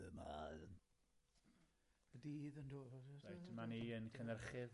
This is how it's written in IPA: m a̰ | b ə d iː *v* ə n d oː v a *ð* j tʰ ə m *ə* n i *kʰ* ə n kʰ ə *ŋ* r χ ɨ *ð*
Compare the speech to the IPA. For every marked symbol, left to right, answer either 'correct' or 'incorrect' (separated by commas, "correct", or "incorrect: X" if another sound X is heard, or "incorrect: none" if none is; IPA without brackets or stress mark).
incorrect: ð, incorrect: none, incorrect: a, incorrect: none, incorrect: n, correct